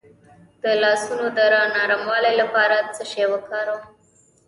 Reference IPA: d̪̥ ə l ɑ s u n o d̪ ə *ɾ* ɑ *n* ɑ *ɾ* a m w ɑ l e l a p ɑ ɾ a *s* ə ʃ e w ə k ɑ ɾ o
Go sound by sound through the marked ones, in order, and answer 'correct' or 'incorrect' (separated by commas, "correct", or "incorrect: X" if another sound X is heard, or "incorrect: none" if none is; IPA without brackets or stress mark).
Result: correct, correct, correct, incorrect: t͡s